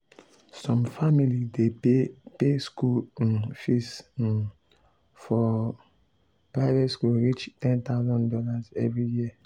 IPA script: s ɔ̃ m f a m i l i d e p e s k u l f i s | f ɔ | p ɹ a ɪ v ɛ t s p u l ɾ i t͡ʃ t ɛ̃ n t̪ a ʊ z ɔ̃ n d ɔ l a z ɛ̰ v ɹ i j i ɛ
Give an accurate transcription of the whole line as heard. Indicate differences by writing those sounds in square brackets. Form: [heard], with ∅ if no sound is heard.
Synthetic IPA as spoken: s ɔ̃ m f a m i l i d e p e s k u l f i s | f ɔ | p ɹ a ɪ v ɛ t s [k] u l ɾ i t͡ʃ t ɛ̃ n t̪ a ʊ z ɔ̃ n d ɔ l a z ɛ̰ v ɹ i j i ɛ